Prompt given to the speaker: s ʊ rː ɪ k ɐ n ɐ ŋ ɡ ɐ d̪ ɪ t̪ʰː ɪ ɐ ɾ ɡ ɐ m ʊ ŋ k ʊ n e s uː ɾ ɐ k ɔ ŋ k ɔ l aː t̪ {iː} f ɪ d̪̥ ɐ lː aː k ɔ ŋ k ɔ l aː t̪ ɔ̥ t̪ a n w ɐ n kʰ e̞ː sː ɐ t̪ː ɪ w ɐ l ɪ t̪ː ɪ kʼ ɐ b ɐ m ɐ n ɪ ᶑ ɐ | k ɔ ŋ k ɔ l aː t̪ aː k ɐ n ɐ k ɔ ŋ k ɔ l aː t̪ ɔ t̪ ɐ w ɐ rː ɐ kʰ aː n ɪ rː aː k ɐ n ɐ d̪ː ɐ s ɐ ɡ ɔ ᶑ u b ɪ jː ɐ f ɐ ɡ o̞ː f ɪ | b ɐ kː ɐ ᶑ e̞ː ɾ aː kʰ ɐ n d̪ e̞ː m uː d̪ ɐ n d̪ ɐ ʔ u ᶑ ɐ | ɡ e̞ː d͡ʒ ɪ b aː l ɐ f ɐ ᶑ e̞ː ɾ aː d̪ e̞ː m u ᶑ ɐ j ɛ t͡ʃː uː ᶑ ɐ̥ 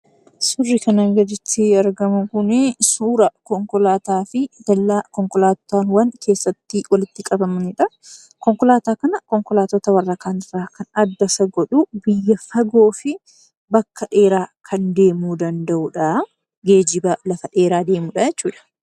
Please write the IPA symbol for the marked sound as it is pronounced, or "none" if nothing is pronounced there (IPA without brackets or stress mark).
aː